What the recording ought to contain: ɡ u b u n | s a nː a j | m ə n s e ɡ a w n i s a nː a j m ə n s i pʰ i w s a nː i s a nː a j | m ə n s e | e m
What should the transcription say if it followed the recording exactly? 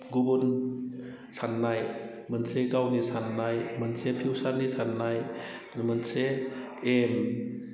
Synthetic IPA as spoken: ɡ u b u n | s a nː a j | m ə n s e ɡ a w n i s a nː a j m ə n s e pʰ i w s a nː i s a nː a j | m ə n s e | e m